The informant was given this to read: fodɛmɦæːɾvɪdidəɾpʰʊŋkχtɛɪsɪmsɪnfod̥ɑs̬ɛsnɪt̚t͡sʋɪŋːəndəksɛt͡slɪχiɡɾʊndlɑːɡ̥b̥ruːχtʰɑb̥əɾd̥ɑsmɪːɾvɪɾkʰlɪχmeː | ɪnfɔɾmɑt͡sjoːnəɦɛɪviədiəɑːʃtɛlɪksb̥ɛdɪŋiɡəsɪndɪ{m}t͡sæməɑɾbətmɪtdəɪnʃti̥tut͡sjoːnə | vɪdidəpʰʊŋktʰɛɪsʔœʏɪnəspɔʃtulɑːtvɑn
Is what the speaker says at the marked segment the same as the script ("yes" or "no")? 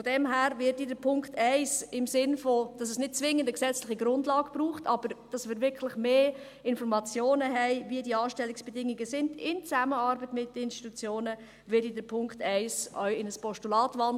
no